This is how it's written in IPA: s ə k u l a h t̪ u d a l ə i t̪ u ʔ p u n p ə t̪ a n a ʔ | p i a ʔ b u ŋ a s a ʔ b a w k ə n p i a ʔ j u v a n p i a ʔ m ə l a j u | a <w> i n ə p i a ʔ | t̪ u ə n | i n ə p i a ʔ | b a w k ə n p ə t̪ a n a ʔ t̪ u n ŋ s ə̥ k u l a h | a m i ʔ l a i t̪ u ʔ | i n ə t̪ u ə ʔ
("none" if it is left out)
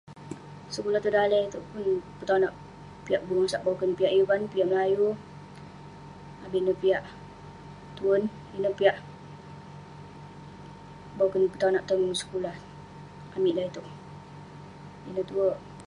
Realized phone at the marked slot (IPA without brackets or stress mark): b